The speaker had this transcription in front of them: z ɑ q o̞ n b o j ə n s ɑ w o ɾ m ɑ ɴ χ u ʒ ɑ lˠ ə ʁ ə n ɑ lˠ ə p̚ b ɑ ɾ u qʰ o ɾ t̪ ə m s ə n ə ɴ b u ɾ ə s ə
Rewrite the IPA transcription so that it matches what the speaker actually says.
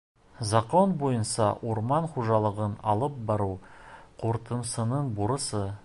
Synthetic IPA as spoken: z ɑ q o̞ n b o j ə n s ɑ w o ɾ m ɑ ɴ χ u ʒ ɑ lˠ ə ʁ ə n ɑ lˠ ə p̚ b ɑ ɾ u qʰ o ɾ t̪ ə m s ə n ə ɴ b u ɾ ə s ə